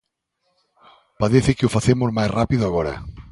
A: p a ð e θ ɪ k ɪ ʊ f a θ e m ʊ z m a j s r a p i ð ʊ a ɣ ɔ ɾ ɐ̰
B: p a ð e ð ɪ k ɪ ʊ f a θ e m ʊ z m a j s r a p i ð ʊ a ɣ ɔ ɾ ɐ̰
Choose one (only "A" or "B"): A